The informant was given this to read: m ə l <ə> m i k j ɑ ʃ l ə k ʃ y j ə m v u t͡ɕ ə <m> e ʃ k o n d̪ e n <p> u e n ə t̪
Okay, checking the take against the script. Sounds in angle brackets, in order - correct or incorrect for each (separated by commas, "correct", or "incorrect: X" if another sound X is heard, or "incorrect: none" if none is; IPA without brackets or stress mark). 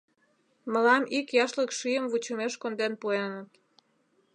incorrect: ɑ, correct, correct